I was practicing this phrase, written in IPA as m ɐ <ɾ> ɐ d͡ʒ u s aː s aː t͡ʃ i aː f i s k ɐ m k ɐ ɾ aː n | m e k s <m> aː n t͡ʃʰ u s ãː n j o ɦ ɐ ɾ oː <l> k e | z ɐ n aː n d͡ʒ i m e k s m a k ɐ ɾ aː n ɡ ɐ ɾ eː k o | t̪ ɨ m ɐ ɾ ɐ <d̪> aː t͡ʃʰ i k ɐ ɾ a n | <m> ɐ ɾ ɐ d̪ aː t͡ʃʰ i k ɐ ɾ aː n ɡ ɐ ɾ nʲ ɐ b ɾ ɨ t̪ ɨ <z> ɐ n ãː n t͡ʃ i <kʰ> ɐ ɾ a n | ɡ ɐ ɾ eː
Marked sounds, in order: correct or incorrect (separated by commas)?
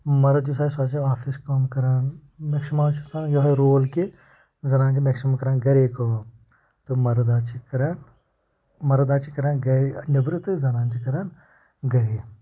correct, correct, correct, correct, correct, correct, incorrect